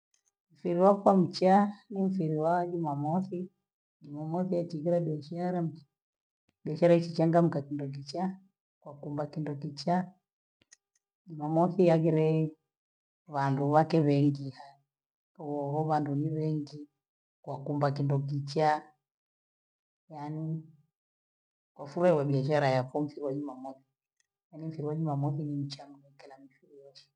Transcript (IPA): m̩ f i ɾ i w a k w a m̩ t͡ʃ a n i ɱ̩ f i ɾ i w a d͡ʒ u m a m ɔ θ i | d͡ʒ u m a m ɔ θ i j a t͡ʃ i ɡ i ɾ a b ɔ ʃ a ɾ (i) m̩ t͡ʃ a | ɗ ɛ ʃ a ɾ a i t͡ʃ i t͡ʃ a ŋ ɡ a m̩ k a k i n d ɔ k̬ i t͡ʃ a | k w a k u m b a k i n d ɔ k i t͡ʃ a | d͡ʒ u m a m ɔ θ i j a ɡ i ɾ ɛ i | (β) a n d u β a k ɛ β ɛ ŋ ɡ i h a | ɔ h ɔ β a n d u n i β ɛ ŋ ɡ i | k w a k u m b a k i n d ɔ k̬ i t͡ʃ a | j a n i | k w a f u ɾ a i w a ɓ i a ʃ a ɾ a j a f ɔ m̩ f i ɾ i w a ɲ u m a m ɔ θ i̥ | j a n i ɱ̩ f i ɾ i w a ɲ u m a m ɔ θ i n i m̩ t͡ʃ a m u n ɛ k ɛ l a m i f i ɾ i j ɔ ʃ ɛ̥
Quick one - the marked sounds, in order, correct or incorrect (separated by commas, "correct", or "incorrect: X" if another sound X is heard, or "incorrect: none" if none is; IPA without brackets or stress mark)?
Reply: incorrect: a, correct